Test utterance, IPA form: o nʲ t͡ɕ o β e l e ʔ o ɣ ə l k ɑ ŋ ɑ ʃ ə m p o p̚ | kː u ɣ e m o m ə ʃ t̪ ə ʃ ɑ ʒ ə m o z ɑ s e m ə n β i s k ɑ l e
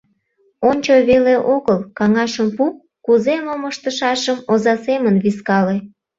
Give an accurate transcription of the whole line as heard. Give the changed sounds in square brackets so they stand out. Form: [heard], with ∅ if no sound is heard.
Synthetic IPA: o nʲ t͡ɕ o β e l e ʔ o ɣ ə l k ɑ ŋ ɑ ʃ ə m p [u] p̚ | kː u [z] e m o m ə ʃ t̪ ə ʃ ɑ [ʃ] ə m o z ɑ s e m ə n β i s k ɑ l e